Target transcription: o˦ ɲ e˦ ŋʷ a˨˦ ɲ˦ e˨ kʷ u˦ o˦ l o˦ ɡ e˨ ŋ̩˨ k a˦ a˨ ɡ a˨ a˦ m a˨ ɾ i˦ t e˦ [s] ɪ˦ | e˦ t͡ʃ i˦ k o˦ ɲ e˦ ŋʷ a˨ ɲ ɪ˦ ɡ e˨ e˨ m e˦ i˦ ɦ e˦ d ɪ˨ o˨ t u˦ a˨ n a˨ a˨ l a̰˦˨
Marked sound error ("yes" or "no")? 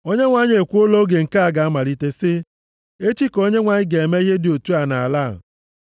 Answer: no